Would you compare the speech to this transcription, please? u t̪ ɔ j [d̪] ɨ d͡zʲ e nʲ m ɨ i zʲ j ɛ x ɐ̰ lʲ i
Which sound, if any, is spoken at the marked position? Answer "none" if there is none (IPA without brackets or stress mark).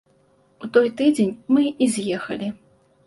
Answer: t̪